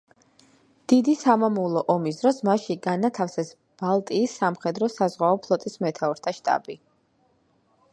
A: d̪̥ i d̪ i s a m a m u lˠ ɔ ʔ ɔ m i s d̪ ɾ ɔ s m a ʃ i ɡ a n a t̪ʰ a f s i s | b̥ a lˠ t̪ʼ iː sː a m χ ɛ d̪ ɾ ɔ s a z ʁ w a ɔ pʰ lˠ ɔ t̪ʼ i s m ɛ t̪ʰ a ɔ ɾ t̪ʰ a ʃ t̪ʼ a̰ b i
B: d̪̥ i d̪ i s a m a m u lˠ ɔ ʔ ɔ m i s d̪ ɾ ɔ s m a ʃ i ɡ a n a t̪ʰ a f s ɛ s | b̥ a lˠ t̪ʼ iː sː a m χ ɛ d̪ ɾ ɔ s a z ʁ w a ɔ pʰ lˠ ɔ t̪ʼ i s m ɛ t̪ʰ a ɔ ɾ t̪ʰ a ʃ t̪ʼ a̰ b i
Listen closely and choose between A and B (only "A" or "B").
B